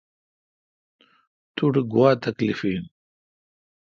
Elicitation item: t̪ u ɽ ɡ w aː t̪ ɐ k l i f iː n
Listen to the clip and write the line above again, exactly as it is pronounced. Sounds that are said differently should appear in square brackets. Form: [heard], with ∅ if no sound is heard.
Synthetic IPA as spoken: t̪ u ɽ ɡ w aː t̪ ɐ k l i f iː n